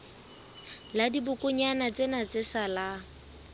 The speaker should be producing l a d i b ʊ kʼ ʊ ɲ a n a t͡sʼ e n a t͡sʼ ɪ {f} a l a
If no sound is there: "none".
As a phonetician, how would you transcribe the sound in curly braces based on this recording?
s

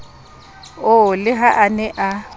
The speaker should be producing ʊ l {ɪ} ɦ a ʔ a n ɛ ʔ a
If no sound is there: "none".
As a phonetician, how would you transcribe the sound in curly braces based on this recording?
ɪ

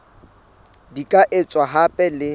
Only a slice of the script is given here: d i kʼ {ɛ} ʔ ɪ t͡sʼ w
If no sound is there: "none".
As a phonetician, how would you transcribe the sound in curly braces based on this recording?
a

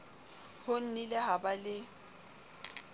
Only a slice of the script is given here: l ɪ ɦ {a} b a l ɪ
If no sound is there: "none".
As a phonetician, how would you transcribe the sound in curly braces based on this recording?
a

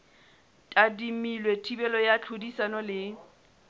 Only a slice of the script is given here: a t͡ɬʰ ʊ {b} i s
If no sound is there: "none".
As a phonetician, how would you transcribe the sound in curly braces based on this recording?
d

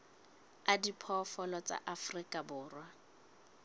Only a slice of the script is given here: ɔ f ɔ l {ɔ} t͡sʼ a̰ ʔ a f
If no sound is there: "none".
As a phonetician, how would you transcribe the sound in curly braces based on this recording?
ɔ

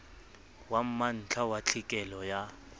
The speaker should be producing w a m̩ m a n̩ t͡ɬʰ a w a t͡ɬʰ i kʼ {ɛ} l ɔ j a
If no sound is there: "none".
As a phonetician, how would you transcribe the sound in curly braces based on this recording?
ɛ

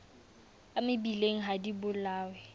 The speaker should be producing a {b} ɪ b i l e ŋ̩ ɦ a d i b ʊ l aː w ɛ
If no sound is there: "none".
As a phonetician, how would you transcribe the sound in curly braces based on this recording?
m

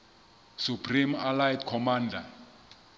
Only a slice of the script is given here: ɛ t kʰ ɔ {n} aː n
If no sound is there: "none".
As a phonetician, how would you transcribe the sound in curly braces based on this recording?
m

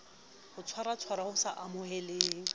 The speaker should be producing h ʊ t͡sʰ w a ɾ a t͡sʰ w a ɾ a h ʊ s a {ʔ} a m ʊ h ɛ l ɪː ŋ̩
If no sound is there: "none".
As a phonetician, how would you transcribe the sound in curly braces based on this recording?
ʔ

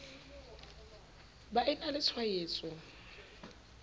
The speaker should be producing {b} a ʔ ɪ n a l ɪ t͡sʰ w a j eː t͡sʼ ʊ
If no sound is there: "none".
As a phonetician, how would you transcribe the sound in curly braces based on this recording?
b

